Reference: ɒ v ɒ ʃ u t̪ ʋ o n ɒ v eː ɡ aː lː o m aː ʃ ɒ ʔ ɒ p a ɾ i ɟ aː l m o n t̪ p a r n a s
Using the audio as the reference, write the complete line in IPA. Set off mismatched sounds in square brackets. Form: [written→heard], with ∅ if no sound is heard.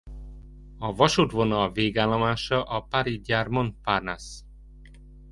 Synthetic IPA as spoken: ɒ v ɒ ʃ u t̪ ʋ o n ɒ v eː ɡ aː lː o m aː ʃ ɒ ʔ ɒ p a ɾ i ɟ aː [l→r] m o n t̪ p a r n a s